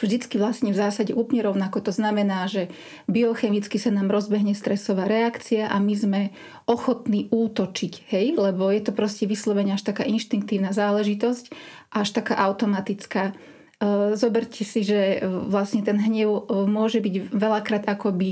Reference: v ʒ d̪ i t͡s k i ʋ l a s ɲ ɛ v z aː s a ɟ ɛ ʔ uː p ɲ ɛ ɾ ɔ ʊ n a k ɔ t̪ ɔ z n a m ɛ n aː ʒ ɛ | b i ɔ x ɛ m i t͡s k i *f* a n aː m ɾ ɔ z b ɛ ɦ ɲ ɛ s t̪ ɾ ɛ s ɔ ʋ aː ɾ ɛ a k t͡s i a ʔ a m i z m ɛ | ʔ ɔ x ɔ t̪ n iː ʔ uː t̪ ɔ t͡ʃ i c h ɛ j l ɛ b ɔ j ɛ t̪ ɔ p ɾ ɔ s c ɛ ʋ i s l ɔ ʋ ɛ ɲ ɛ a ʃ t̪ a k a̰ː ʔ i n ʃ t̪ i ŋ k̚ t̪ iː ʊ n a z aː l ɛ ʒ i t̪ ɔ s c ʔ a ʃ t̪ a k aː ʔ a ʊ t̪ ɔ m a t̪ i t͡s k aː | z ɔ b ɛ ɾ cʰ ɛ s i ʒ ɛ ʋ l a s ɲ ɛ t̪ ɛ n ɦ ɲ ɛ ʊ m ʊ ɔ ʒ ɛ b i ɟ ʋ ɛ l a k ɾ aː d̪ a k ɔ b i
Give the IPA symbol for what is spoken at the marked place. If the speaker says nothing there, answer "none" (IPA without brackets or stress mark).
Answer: s